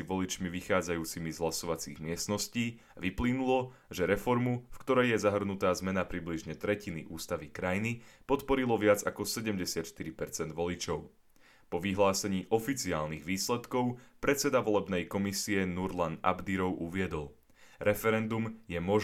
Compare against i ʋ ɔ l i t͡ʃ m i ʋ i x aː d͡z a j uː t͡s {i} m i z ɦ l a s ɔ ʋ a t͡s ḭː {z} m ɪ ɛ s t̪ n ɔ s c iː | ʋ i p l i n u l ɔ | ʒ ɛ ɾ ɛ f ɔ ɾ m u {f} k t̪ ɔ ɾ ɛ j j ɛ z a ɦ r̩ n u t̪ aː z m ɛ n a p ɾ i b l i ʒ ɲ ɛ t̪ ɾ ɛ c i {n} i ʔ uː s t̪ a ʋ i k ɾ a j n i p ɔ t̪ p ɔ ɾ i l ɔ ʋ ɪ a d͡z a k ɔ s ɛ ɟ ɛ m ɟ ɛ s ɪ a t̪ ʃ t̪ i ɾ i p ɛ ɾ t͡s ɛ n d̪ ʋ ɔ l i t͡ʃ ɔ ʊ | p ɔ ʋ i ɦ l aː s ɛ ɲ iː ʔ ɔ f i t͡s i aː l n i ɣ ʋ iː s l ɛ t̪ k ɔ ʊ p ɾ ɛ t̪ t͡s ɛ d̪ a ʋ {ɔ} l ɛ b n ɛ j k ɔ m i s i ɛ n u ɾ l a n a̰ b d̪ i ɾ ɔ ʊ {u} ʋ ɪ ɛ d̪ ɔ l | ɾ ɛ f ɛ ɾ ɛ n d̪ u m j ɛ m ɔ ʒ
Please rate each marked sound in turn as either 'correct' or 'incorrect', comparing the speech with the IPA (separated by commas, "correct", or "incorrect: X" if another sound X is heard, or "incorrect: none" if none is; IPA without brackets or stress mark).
correct, incorrect: ɣ, correct, correct, correct, correct